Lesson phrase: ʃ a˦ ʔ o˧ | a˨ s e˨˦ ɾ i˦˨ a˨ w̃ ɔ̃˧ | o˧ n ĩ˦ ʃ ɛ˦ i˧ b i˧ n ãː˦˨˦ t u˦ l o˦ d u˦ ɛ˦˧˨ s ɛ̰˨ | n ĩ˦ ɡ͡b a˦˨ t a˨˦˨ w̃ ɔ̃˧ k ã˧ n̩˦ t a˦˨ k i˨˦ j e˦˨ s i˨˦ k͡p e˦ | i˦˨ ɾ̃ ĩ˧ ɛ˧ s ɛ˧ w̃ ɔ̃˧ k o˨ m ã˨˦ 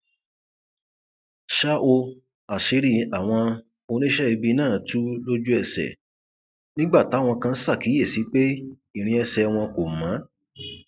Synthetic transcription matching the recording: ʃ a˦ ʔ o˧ | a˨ ʃ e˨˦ ɾ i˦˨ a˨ w̃ ɔ̃˧ | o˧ n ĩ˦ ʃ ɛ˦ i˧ b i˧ n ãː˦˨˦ t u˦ l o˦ d͡ʒ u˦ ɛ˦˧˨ s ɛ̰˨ | n ĩ˦ ɡ͡b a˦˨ t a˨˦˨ w̃ ɔ̃˧ k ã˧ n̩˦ s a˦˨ k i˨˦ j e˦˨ s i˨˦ k͡p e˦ | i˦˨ ɾ̃ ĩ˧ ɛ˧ s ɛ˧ w̃ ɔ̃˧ k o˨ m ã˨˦